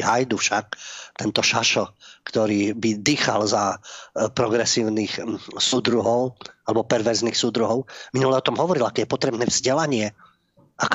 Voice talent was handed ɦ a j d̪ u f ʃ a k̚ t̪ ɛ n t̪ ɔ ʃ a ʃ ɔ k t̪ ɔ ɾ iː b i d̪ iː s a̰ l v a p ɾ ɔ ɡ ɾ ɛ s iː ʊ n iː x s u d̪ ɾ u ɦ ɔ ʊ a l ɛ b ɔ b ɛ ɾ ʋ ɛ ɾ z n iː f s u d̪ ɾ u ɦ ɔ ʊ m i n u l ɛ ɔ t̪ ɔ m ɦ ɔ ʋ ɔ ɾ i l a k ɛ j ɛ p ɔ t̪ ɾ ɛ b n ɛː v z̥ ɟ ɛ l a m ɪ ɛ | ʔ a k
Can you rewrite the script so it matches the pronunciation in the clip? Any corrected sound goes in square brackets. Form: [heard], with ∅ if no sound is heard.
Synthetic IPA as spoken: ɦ a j d̪ u f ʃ a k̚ t̪ ɛ n t̪ ɔ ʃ a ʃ ɔ k t̪ ɔ ɾ iː b i d̪ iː [x] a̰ l [z] a p ɾ ɔ ɡ ɾ ɛ s iː ʊ n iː x s u d̪ ɾ u ɦ ɔ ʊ a l ɛ b ɔ [p] ɛ ɾ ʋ ɛ ɾ z n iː [x] s u d̪ ɾ u ɦ ɔ ʊ m i n u l ɛ ɔ t̪ ɔ m ɦ ɔ ʋ ɔ ɾ i l a k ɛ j ɛ p ɔ t̪ ɾ ɛ b n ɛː v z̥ ɟ ɛ l a [ɲ] ɪ ɛ | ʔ a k